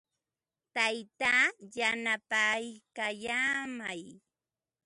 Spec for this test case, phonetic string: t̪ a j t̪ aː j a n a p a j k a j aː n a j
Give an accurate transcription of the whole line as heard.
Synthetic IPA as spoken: t̪ a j t̪ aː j a n a p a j k a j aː m a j